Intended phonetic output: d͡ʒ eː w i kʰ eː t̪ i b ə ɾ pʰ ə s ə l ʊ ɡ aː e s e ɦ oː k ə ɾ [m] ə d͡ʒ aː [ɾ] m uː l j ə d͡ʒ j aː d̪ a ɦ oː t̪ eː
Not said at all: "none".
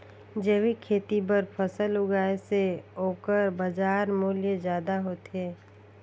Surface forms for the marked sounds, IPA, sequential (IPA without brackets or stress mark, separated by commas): b, ɾ